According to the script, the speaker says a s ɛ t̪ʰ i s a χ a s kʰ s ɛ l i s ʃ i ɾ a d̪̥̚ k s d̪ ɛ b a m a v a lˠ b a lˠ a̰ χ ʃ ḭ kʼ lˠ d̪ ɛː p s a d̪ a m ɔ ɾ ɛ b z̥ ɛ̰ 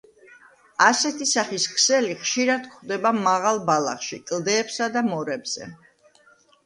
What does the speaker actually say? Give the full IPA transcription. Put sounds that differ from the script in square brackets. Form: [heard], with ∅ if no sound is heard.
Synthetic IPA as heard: a s ɛ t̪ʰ i s a χ [i] s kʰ s ɛ l i [χ] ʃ i ɾ a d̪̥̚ k [χ] d̪ ɛ b a m a [ʁ] a lˠ b a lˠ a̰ χ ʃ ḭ kʼ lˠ d̪ ɛː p s a d̪ a m ɔ ɾ ɛ b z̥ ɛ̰